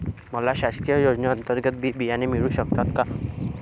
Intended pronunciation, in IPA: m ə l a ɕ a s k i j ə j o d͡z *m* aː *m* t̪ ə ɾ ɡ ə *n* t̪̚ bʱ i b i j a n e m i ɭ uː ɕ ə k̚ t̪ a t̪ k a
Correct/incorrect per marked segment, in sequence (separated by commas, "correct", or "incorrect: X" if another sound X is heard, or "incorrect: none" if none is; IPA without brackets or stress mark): incorrect: n, incorrect: n, incorrect: none